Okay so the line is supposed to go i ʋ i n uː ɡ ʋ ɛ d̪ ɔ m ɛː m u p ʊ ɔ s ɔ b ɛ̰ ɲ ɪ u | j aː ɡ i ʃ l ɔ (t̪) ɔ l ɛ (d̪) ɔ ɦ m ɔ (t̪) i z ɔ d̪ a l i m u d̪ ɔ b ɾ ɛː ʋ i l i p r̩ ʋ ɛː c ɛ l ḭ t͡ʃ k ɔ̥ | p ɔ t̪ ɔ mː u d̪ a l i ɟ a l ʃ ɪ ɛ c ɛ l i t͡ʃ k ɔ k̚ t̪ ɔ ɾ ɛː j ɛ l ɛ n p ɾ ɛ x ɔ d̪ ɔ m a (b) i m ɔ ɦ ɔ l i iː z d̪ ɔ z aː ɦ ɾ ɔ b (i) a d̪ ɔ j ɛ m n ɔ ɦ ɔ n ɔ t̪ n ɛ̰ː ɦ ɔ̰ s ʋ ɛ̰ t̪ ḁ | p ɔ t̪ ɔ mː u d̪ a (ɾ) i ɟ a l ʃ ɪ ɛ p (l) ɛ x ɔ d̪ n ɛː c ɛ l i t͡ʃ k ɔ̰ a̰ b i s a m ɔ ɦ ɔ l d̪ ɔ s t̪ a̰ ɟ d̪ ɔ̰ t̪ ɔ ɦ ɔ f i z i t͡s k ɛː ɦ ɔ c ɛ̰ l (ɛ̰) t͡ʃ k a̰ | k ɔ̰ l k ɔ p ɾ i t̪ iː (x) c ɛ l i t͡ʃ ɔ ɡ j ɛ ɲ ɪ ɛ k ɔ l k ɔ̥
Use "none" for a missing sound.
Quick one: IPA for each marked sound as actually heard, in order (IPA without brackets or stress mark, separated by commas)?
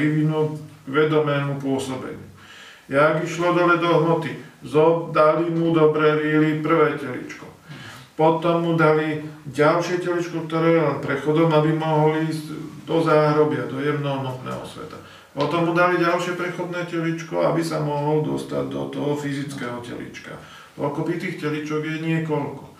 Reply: d̪, d̪, t̪, b, ɪ, l, ɾ, ḭ, x